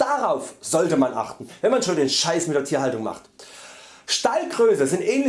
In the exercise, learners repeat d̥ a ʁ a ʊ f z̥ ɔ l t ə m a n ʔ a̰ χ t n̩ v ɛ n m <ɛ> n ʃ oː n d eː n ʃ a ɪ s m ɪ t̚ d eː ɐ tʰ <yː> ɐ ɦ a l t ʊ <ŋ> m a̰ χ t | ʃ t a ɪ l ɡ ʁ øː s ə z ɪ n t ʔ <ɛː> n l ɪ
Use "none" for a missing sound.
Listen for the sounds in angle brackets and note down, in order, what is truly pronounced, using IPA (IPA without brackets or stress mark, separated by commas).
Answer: a, iː, ŋ, ɛː